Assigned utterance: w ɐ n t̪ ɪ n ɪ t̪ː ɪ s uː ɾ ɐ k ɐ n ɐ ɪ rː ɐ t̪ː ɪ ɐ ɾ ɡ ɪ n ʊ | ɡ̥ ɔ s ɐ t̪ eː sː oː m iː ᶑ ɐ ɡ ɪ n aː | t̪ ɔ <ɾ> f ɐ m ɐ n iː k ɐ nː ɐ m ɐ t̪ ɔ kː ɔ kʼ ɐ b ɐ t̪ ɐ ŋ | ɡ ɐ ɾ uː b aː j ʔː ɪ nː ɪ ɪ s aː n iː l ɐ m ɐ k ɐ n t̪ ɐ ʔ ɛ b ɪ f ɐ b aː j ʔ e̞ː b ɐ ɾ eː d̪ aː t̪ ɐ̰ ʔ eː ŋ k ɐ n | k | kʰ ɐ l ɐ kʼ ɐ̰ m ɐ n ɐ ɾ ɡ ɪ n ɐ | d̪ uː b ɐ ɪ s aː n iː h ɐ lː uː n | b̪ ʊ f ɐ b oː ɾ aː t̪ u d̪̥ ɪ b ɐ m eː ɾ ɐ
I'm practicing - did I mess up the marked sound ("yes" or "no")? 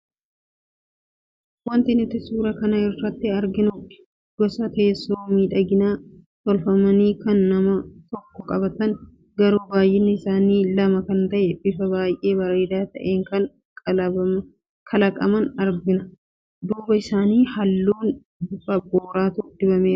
yes